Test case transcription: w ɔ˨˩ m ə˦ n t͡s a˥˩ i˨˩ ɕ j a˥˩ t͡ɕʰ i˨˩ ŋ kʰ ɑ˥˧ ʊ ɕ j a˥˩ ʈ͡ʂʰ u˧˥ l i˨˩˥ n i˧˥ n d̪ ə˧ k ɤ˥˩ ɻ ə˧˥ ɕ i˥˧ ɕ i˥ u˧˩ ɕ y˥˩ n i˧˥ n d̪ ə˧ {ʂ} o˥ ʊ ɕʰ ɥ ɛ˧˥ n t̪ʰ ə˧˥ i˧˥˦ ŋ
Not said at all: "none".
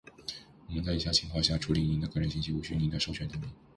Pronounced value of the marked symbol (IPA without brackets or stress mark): ʂ